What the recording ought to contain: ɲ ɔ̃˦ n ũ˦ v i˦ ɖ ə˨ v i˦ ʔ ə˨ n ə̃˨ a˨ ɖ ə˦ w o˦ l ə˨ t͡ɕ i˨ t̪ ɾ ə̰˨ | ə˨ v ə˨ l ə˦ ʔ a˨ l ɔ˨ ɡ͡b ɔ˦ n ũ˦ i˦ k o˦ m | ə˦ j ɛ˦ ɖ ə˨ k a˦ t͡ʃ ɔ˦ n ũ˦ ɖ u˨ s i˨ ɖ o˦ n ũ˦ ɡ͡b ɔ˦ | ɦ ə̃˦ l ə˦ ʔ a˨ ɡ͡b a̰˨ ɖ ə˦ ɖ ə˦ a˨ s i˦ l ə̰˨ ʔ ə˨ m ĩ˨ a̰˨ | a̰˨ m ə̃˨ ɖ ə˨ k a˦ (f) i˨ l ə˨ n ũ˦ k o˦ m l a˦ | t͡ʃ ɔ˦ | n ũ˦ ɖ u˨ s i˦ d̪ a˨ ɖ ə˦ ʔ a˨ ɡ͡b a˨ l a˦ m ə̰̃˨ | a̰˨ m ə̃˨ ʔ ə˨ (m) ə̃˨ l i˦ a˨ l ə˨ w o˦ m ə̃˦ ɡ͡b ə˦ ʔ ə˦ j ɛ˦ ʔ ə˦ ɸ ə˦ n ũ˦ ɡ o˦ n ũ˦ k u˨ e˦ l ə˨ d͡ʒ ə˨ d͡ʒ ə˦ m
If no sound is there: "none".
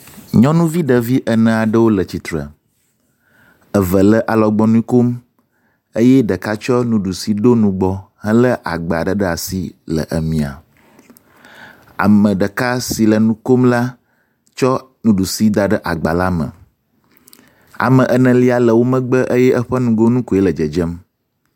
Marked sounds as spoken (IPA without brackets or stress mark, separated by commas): s, n